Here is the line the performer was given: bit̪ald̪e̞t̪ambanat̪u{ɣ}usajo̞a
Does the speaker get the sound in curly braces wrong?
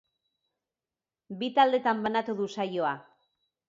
yes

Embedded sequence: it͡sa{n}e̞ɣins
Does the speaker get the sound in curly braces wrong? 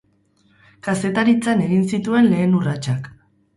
no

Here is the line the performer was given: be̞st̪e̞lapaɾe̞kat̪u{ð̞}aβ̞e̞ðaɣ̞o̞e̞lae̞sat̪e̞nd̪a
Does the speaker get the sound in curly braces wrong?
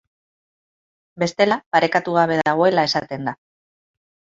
yes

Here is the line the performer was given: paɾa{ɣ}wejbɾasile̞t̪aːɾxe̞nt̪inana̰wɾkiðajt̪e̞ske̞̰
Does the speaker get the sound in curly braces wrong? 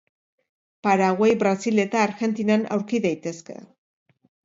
no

